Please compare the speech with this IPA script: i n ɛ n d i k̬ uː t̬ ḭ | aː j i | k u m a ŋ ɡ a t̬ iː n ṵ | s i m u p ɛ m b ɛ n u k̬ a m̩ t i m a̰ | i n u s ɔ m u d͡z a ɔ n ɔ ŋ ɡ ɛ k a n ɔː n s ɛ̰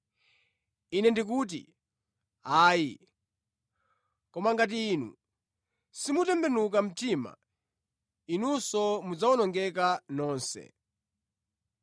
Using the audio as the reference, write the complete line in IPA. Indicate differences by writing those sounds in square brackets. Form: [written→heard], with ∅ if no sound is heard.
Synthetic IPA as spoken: i n ɛ n d i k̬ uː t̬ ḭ | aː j i | k [u→ɔ] m a ŋ ɡ a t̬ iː n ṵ | s i m u [p→t] ɛ m b ɛ n u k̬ a m̩ t i m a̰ | i n u s ɔ m u d͡z a ɔ n ɔ ŋ ɡ ɛ k a n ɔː n s ɛ̰